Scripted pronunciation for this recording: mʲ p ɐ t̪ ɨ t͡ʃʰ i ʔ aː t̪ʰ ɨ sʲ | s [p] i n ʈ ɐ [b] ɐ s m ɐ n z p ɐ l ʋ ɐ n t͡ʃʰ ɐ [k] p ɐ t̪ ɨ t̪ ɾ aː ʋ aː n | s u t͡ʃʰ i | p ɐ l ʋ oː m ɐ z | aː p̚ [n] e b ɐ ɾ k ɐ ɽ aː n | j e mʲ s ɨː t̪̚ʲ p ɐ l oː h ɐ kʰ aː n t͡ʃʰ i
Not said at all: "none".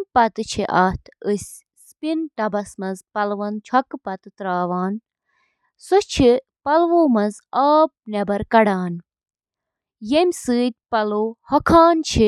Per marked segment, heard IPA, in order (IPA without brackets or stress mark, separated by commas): p, b, k, n